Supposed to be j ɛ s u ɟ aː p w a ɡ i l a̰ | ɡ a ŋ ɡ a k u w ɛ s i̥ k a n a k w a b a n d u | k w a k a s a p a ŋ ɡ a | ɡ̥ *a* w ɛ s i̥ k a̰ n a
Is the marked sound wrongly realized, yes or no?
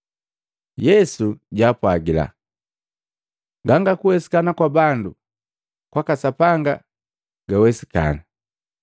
no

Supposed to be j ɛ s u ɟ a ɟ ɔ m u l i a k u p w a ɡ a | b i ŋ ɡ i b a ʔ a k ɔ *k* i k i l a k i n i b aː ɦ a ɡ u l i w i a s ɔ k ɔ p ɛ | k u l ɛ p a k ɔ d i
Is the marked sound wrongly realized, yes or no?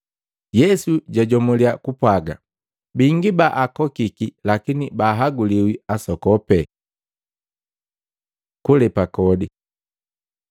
no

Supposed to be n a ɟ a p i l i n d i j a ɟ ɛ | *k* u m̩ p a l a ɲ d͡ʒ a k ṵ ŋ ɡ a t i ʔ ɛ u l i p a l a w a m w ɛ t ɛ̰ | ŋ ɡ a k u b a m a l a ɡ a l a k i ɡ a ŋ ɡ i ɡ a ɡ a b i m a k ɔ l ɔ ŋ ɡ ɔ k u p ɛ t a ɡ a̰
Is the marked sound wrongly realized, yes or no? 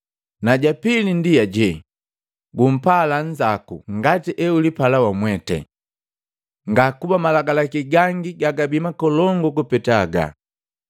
yes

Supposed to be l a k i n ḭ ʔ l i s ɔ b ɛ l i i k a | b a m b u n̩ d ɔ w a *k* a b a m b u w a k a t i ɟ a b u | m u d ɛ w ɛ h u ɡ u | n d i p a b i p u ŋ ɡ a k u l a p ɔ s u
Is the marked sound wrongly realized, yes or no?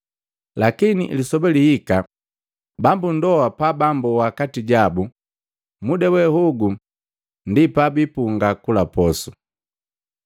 yes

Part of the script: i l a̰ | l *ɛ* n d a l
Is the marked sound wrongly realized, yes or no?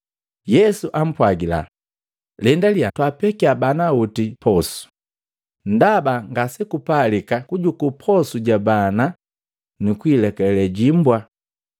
no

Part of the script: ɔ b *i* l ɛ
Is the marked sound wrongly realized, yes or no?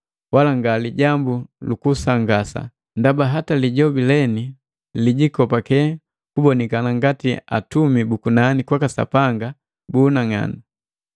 no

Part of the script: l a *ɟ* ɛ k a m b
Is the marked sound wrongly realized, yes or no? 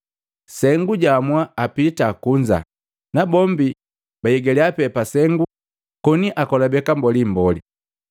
yes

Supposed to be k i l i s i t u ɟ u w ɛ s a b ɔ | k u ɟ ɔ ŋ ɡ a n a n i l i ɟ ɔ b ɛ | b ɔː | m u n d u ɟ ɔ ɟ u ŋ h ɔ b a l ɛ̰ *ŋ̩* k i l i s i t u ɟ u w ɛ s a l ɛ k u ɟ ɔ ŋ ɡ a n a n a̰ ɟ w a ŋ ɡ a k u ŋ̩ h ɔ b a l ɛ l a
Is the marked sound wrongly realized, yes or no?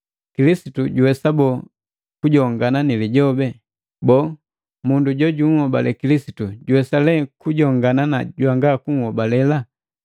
yes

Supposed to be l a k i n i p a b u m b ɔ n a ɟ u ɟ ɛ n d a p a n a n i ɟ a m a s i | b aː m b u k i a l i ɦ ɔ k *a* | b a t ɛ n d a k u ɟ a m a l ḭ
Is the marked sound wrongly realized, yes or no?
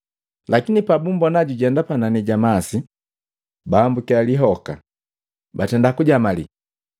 no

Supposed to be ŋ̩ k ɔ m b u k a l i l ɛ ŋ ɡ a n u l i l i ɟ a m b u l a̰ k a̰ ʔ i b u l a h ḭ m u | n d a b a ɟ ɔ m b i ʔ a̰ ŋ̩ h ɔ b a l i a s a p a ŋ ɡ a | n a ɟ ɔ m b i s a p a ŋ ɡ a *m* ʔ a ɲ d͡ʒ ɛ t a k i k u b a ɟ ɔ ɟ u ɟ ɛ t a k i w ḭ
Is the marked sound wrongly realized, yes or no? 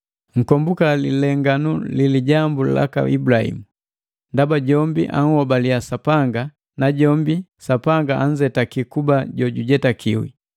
yes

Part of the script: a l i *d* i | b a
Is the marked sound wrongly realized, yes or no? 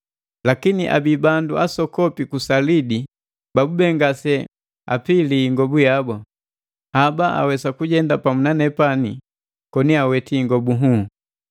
no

